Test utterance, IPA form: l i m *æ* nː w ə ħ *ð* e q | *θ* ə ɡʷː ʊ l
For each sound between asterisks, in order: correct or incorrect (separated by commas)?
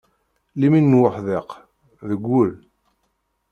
incorrect, correct, incorrect